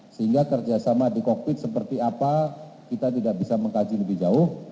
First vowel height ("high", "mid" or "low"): mid